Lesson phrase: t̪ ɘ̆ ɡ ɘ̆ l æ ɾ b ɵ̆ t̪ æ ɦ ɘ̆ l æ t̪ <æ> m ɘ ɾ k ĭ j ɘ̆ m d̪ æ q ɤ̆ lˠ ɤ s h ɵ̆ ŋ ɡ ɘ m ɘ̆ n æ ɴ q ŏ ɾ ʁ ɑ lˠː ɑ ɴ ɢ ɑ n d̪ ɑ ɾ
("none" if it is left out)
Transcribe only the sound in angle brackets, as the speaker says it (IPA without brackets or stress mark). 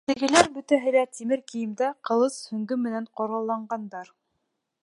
i